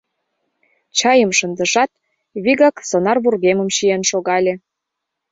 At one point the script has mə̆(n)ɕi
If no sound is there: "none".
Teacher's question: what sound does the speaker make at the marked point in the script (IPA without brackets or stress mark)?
m